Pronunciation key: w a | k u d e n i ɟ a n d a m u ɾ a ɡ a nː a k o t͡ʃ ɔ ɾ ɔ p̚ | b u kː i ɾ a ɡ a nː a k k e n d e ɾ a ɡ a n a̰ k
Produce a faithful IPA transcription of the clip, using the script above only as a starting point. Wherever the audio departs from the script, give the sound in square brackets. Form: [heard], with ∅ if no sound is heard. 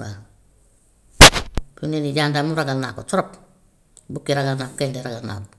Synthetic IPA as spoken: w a | k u [n] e n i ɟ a n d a m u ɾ a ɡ a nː a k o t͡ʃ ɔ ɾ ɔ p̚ | b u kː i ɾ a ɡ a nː a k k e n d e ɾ a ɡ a n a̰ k